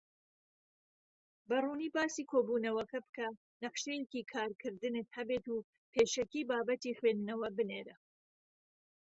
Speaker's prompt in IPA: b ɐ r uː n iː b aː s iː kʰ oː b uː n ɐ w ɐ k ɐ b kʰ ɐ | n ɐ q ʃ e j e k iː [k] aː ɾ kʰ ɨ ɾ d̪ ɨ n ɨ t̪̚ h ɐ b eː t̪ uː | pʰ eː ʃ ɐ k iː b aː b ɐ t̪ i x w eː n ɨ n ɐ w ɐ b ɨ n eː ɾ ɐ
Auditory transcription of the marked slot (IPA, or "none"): kʰ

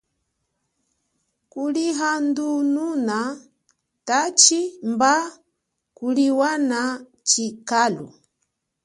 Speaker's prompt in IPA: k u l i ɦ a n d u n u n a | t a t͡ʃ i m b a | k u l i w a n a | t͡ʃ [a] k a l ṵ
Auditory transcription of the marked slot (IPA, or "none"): i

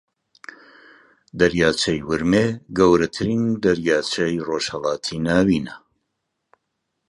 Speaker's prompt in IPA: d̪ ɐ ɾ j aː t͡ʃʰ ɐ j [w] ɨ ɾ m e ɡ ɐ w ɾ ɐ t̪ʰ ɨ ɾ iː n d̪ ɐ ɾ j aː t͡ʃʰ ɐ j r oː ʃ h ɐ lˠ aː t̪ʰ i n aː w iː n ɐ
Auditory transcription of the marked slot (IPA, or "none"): w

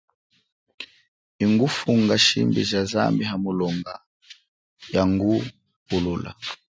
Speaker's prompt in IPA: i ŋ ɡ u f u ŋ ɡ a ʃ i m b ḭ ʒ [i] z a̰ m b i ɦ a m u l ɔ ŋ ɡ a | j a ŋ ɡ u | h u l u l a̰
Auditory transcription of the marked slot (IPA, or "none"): a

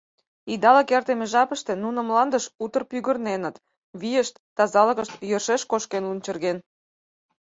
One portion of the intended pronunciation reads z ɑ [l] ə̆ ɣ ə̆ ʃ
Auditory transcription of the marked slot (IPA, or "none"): l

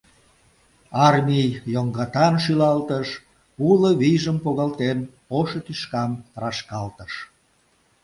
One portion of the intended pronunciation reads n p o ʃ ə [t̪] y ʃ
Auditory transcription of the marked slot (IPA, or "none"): t̪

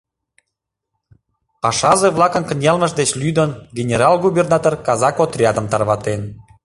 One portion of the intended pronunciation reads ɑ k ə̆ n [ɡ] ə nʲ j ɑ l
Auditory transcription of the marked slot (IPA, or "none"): k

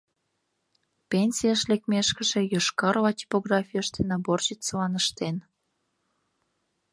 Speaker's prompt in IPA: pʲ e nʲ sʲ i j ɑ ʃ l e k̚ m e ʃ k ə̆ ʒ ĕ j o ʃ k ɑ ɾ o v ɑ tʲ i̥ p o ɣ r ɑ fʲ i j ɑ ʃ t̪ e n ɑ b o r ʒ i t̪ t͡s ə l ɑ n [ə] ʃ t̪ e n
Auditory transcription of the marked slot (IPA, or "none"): ə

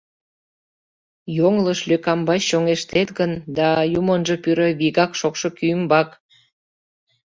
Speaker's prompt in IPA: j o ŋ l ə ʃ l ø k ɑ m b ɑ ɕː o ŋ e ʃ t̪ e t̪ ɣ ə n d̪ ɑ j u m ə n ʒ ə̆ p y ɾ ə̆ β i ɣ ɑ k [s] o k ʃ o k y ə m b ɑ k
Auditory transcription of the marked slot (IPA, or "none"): ʃ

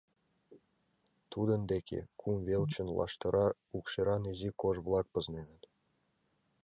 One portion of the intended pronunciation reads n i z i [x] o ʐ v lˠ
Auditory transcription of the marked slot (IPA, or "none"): k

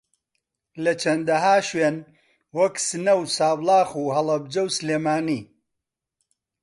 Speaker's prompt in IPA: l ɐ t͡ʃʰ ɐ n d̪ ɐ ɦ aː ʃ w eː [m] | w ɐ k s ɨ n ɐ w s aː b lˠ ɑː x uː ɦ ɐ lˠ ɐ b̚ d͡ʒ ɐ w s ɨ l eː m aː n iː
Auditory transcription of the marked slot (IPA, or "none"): n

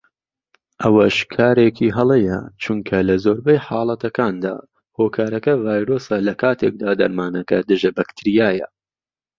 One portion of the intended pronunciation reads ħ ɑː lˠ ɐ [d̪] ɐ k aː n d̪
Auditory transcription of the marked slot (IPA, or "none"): t̪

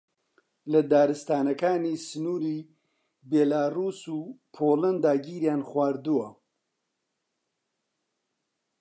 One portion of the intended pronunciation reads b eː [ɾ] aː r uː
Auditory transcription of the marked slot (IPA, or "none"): l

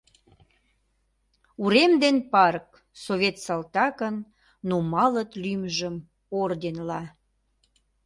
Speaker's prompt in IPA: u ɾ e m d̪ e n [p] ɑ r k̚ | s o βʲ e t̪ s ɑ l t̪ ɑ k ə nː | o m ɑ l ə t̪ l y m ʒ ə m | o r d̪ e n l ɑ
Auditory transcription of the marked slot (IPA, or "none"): p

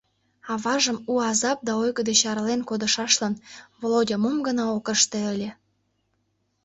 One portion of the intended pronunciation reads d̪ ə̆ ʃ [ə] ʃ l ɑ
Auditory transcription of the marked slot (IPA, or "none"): ɑ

